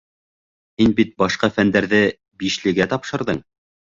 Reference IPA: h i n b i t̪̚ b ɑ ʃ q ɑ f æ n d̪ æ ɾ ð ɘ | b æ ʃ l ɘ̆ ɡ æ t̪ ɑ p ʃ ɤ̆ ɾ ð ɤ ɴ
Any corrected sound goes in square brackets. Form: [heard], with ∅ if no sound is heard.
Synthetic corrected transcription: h i n b i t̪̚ b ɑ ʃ q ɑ f æ n d̪ æ ɾ ð ɘ | b [i] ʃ l ɘ̆ ɡ æ t̪ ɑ p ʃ ɤ̆ ɾ ð ɤ ɴ